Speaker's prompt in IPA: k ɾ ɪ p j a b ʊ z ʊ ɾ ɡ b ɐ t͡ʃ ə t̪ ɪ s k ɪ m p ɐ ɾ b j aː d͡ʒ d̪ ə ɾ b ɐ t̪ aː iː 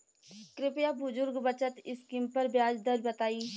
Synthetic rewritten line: k ɾ ɪ p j a b ʊ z ʊ ɾ ɡ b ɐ t͡ʃ ə t̪ ɪ s k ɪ m p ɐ ɾ b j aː d͡ʒ d̪ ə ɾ b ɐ t̪ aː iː